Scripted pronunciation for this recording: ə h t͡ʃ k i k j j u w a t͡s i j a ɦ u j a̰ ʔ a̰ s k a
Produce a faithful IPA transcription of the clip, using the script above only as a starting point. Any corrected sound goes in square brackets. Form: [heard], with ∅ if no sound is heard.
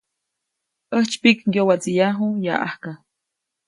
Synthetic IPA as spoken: ə h t͡ʃ [p] i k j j [o] w a t͡s i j a ɦ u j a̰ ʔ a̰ [h] k a